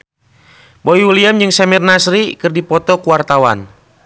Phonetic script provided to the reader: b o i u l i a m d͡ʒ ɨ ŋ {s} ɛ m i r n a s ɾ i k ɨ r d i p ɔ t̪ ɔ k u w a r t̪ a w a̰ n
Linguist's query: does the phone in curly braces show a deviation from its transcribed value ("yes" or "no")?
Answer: no